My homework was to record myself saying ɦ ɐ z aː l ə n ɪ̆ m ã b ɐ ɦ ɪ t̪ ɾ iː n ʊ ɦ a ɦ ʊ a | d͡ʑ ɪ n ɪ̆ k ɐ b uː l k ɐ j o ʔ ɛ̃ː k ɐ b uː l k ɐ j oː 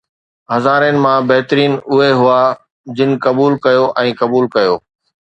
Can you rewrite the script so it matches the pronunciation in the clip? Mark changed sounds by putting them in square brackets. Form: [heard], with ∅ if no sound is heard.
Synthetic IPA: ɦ ɐ z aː [ɾ] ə n ɪ̆ m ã b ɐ ɦ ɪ t̪ ɾ iː n ʊ ɦ [e] ɦ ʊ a | d͡ʑ ɪ n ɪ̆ k ɐ b uː l k ɐ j o ʔ ɛ̃ː k ɐ b uː l k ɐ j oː